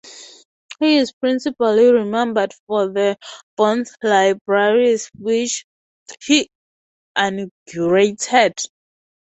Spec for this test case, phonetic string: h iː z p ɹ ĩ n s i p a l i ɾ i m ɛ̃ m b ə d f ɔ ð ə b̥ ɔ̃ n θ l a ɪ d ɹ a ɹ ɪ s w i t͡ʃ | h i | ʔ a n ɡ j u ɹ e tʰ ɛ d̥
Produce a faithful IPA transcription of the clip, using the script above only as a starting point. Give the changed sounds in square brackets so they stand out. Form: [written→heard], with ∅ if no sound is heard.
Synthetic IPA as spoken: h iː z p ɹ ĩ n s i p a l i [ɾ→ɹ] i m ɛ̃ m b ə d f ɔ ð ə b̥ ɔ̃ n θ l a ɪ [d→b] ɹ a ɹ [ɪ→i] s w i t͡ʃ | h i | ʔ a n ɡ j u ɹ e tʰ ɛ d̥

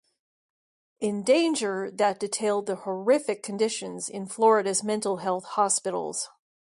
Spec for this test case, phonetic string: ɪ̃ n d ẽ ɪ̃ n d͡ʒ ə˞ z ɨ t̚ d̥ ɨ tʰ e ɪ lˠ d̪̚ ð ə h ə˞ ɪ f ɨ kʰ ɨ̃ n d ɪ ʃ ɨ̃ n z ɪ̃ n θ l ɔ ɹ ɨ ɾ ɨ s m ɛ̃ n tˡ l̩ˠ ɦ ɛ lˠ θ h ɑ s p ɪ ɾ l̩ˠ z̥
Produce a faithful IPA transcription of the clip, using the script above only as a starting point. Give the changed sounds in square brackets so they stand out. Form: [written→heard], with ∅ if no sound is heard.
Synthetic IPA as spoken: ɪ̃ n d ẽ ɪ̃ n d͡ʒ ə˞ [z→ð] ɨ t̚ d̥ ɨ tʰ e ɪ lˠ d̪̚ ð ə h ə˞ ɪ f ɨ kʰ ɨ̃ n d ɪ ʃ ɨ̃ n z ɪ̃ n [θ→f] l ɔ ɹ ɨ ɾ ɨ [s→z] m ɛ̃ n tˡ l̩ˠ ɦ ɛ lˠ θ h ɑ s p ɪ ɾ l̩ˠ z̥

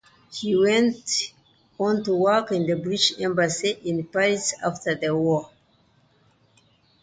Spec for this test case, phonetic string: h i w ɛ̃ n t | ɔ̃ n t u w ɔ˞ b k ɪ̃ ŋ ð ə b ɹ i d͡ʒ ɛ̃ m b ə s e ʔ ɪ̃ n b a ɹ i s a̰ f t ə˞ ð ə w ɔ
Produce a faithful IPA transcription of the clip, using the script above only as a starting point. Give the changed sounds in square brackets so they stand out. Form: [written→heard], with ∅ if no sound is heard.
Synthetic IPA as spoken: h i w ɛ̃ n t | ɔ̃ n t u w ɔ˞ [b→∅] k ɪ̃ [ŋ→n] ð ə b ɹ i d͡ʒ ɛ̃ m b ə s [e→i] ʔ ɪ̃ n [b→p] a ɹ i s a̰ f t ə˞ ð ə w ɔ

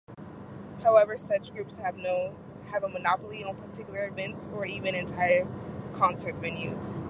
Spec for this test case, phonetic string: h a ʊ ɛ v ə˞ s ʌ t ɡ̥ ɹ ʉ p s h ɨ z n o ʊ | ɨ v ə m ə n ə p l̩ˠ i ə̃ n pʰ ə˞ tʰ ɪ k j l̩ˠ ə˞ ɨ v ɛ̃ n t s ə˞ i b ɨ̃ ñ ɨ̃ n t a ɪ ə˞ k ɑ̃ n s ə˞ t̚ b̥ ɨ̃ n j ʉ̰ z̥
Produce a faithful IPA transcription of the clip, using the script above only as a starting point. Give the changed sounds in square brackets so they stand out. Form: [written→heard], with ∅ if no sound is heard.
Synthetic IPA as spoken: h a ʊ ɛ v ə˞ s ʌ [t→t͡ʃ] ɡ̥ ɹ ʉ p s h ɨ [z→v] n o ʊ | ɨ v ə m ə n [ə→ɑ] p l̩ˠ i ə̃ n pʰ ə˞ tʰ ɪ k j l̩ˠ ə˞ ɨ v ɛ̃ n t s ə˞ i [b→v] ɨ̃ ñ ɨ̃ n [t→tʰ] a ɪ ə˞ [k→kʰ] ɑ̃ n s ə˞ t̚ b̥ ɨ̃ n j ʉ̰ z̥

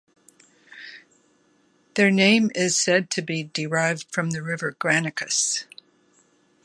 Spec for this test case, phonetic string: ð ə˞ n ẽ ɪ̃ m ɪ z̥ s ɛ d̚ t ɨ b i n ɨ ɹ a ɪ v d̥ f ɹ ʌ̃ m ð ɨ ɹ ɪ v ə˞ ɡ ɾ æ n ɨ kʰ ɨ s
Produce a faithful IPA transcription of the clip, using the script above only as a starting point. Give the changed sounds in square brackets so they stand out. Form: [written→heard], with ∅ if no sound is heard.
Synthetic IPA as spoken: ð ə˞ n ẽ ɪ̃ m ɪ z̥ s ɛ d̚ [t→tʰ] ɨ b i [n→d] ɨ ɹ a ɪ v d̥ f ɹ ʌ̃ m ð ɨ ɹ ɪ v ə˞ ɡ [ɾ→ɹ] æ n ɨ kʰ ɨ s

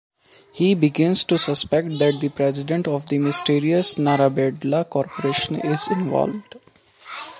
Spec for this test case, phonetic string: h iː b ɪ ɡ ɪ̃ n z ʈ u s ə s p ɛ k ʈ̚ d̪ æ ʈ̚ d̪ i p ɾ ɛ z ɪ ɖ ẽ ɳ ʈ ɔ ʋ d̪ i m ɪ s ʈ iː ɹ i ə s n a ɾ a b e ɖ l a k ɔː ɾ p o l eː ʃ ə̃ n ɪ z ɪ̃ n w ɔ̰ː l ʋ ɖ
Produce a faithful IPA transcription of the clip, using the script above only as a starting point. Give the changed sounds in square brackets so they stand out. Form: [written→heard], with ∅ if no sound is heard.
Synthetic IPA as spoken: h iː b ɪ ɡ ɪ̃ n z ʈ u s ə s p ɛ k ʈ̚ d̪ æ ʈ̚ d̪ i p ɾ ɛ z ɪ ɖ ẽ ɳ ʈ ɔ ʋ d̪ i m ɪ s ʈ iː [ɹ→ɾ] i ə s n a ɾ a b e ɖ l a k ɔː ɾ p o [l→ɾ] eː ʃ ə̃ n ɪ z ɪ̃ n [w→ʋ] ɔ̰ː l ʋ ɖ

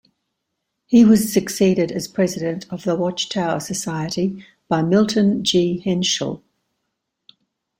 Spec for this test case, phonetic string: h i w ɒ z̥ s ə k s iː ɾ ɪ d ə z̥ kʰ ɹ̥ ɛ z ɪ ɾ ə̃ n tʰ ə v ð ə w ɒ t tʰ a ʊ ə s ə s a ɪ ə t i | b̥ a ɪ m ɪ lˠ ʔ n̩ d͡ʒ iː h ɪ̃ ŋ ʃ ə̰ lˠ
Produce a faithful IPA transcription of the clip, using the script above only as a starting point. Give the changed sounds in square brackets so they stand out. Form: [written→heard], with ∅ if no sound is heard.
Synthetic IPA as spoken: h i w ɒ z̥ s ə k s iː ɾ ɪ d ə z̥ [kʰ→pʰ] ɹ̥ ɛ z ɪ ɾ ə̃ n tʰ ə v ð ə w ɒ [t→t͡ʃ] tʰ a ʊ ə s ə s a ɪ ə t i | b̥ a ɪ m ɪ lˠ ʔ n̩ d͡ʒ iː h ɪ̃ [ŋ→n] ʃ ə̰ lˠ

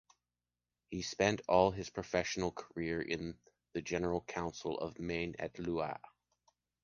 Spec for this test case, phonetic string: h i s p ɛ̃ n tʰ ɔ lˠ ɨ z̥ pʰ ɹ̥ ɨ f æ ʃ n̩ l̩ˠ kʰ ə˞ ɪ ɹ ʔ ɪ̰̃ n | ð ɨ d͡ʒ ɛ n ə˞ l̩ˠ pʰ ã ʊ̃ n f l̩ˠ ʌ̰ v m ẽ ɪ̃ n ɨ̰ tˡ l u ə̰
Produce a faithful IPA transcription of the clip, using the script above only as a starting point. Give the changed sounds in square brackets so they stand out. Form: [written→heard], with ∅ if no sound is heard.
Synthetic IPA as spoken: h i s p ɛ̃ n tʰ ɔ lˠ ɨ z̥ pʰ ɹ̥ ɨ f [æ→ɛ] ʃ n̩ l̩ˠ kʰ ə˞ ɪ ɹ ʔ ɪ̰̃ n | ð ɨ d͡ʒ ɛ n ə˞ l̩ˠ [pʰ→kʰ] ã ʊ̃ n [f→s] l̩ˠ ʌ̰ v m ẽ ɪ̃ n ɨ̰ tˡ l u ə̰

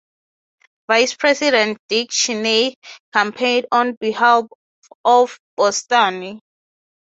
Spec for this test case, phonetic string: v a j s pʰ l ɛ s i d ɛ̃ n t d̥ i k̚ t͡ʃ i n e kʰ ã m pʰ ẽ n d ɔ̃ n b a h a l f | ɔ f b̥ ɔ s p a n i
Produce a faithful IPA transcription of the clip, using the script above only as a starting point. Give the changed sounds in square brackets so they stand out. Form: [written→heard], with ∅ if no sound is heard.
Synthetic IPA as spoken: v a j s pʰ [l→ɹ] ɛ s i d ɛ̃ n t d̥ i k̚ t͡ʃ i n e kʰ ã m pʰ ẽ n d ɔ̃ n b [a→i] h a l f | ɔ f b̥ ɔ s [p→t] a n i

